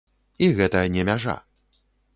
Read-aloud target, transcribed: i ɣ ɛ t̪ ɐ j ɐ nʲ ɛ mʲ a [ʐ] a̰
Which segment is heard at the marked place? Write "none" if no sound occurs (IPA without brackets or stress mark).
ʐ